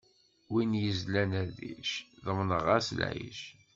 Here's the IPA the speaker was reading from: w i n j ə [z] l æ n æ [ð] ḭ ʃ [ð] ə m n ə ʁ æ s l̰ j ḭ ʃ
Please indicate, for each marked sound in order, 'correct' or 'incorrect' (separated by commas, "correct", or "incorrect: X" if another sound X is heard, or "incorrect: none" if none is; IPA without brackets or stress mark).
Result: correct, correct, correct